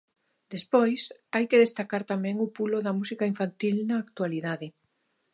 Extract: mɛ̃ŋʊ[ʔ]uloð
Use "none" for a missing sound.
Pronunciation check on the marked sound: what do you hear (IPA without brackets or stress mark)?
p